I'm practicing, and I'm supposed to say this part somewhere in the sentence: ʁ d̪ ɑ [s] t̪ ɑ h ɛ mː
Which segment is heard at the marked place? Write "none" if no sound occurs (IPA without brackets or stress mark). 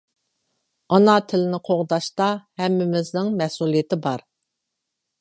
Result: ʃ